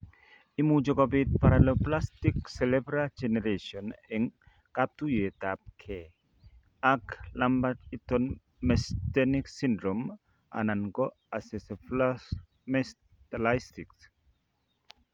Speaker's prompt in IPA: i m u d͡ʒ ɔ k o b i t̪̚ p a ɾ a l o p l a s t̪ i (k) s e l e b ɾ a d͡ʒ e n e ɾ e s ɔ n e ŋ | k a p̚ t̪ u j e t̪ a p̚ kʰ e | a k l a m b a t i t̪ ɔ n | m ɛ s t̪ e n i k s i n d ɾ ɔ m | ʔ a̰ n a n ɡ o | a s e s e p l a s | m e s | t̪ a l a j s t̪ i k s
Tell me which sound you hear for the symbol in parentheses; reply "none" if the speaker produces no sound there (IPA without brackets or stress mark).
k